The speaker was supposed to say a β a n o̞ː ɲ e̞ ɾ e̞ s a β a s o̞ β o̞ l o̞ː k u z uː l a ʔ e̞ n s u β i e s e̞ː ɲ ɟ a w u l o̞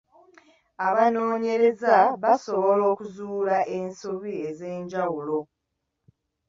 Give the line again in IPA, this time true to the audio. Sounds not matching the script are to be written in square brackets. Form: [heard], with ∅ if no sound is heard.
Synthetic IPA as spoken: a β a n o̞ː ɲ e̞ ɾ e̞ [z] a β a s o̞ β o̞ l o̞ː k u z uː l a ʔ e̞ n s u β i e [z] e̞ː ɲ ɟ a w u l o̞